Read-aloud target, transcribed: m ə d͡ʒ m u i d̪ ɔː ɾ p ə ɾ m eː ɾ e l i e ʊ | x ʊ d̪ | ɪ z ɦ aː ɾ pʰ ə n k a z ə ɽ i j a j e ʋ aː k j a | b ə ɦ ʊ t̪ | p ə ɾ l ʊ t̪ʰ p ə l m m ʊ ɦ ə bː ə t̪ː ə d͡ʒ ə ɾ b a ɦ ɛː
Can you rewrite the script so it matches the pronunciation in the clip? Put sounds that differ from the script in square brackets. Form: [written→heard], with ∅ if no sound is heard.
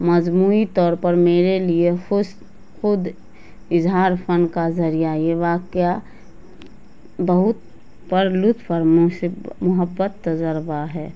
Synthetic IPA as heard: m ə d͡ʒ m u i [d̪→t̪] ɔː ɾ p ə ɾ m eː ɾ e l i e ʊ | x ʊ d̪ | ɪ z ɦ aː ɾ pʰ ə n k a z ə [ɽ→ɾ] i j a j e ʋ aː k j a | b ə ɦ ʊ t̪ | p ə ɾ l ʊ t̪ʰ p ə [l→ɾ] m m ʊ ɦ ə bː ə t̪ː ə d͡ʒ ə ɾ b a ɦ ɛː

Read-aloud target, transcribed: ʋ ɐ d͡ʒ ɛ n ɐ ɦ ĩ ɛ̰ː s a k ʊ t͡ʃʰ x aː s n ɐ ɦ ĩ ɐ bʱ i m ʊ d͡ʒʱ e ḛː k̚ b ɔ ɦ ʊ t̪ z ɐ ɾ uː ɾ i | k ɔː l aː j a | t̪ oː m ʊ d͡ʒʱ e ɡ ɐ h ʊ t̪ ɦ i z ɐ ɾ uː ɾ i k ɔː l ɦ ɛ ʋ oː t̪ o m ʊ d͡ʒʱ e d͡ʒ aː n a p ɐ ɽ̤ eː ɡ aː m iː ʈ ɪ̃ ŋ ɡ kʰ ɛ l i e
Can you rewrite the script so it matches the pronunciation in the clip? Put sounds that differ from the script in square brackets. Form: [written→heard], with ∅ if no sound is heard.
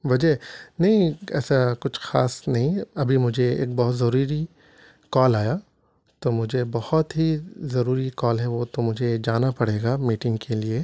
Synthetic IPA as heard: ʋ ɐ d͡ʒ ɛ n ɐ ɦ ĩ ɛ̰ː s a k ʊ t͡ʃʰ x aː s n ɐ ɦ ĩ ɐ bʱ i m ʊ d͡ʒʱ e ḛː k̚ b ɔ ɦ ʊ t̪ z ɐ ɾ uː ɾ i | k ɔː l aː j a | t̪ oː m ʊ d͡ʒʱ e [ɡ→b] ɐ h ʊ t̪ ɦ i z ɐ ɾ uː ɾ i k ɔː l ɦ ɛ ʋ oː t̪ o m ʊ d͡ʒʱ e d͡ʒ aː n a p ɐ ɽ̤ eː ɡ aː m iː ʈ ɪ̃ ŋ ɡ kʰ [ɛ→e] l i e

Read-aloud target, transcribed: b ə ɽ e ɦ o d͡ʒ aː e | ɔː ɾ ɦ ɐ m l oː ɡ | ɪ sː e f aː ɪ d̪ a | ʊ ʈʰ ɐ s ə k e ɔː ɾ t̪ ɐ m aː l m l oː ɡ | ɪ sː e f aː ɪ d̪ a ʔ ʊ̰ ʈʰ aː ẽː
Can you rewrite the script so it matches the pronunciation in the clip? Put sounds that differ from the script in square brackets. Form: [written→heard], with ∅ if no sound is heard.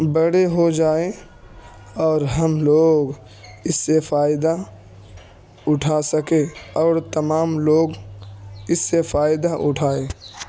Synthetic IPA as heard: b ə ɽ e ɦ o d͡ʒ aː e | ɔː ɾ ɦ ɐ m l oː ɡ | ɪ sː e f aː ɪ d̪ a | ʊ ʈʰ [ɐ→a] s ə k e ɔː ɾ t̪ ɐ m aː [l→∅] m l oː ɡ | ɪ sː e f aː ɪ d̪ a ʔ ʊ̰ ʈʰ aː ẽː

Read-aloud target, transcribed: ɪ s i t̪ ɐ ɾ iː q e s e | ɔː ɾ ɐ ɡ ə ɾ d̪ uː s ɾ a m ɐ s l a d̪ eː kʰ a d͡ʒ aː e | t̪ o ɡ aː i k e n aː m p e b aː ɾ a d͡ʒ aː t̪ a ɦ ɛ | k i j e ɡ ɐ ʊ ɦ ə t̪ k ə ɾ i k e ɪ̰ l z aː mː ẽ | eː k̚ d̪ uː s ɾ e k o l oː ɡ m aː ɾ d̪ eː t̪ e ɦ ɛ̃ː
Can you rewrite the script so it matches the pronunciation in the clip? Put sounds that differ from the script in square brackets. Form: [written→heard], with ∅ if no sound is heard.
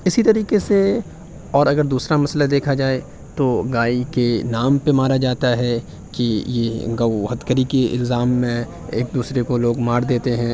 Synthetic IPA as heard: ɪ s i t̪ ɐ ɾ iː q e s e | ɔː ɾ ɐ ɡ ə ɾ d̪ uː s ɾ a m ɐ s l a d̪ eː kʰ a d͡ʒ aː e | t̪ o ɡ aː i k e n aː m p e [b→m] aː ɾ a d͡ʒ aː t̪ a ɦ ɛ | k i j e ɡ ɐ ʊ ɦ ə t̪ k ə ɾ i k e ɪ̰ l z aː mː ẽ | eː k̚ d̪ uː s ɾ e k o l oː ɡ m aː ɾ d̪ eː t̪ e ɦ ɛ̃ː

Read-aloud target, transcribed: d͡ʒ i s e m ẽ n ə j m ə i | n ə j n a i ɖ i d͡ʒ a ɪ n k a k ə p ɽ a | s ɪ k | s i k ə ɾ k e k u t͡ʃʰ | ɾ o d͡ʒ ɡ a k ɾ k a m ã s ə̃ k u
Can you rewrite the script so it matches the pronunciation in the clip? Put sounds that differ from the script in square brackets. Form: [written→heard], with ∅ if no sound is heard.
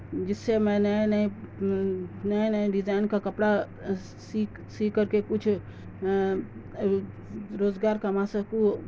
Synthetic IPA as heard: d͡ʒ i s e m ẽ n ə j [m→n] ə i | n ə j n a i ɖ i d͡ʒ a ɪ n k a k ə p ɽ a | s [ɪ→i] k | s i k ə ɾ k e k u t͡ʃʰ | ɾ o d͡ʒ ɡ a [k→∅] ɾ k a m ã s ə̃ k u

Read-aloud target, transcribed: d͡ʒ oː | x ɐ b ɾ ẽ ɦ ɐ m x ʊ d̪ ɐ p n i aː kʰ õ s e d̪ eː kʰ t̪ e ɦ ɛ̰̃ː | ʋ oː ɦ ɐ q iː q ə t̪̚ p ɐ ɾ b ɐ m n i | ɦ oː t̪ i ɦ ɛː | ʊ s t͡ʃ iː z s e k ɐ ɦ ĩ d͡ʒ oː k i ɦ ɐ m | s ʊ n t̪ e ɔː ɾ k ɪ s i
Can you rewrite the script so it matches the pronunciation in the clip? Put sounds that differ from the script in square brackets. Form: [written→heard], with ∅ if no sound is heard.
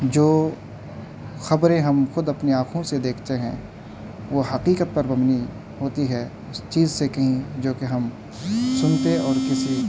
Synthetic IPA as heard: d͡ʒ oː | x ɐ b ɾ ẽ ɦ ɐ m x ʊ d̪ ɐ p n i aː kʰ õ s e d̪ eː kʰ t̪ e ɦ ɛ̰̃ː | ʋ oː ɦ ɐ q iː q ə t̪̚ p ɐ ɾ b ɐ m n i | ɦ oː t̪ i ɦ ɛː | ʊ s t͡ʃ iː z s e k ɐ ɦ ĩ d͡ʒ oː k [i→e] ɦ ɐ m | s ʊ n t̪ e ɔː ɾ k ɪ s i

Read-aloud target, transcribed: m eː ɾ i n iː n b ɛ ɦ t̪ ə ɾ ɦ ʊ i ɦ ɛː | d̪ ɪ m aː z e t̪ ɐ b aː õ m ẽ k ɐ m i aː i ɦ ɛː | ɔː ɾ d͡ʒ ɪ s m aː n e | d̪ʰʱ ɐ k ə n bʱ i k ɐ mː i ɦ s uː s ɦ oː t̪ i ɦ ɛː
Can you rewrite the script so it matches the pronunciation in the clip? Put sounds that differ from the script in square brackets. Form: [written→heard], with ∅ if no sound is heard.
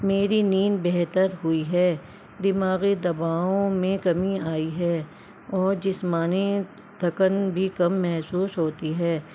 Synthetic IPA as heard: m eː ɾ i n iː n b ɛ ɦ t̪ ə ɾ ɦ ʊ i ɦ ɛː | d̪ ɪ m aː [z→ɣ] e [t̪→d̪] ɐ b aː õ m ẽ k ɐ m i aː i ɦ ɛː | ɔː ɾ d͡ʒ ɪ s m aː n e | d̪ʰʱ ɐ k ə n bʱ i k ɐ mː [i→ɛ] ɦ s uː s ɦ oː t̪ i ɦ ɛː

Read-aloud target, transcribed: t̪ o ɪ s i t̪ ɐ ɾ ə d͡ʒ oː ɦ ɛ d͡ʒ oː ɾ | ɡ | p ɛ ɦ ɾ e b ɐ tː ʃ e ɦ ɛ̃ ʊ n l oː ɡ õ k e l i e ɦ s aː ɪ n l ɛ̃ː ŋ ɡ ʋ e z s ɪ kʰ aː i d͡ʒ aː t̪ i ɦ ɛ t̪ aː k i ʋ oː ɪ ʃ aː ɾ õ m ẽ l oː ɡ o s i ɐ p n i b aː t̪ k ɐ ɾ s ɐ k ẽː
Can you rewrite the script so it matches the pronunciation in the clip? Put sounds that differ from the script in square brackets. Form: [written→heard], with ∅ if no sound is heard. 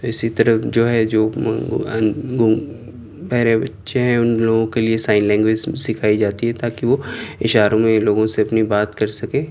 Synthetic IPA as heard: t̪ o ɪ s i t̪ ɐ ɾ ə d͡ʒ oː ɦ ɛ d͡ʒ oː [ɾ→∅] | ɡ | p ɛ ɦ ɾ e b ɐ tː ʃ e ɦ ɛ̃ ʊ n l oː ɡ õ k e l i e [ɦ→∅] s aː ɪ n l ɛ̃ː ŋ ɡ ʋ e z s ɪ kʰ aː i d͡ʒ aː t̪ i ɦ ɛ t̪ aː k i ʋ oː ɪ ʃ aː ɾ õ m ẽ l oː ɡ [o→õ] s [i→e] ɐ p n i b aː t̪ k ɐ ɾ s ɐ k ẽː

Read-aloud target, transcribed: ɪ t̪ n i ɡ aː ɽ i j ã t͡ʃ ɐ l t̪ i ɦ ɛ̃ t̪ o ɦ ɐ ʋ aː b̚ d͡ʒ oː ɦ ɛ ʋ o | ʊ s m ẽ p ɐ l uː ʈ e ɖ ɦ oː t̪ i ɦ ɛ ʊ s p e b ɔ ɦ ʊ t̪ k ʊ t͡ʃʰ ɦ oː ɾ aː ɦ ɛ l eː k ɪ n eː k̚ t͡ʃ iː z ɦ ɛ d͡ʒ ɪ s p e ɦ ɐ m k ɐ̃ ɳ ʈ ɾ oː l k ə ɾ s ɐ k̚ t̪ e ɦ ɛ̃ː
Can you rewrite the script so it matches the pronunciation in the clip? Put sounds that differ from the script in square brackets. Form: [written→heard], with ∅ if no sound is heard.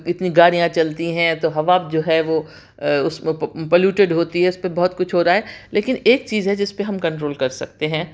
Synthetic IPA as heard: ɪ t̪ n i ɡ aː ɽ i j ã t͡ʃ ɐ l t̪ i ɦ ɛ̃ t̪ o ɦ ɐ ʋ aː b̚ d͡ʒ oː ɦ ɛ ʋ o | ʊ s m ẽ p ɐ l uː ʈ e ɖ ɦ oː t̪ i ɦ ɛ ʊ s p e b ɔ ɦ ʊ t̪ k ʊ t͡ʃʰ ɦ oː ɾ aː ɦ ɛ l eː k ɪ n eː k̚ t͡ʃ iː z ɦ ɛ d͡ʒ ɪ s p e ɦ ɐ m k ɐ̃ ɳ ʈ ɾ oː l k [ə→ɐ] ɾ s ɐ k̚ t̪ e ɦ ɛ̃ː

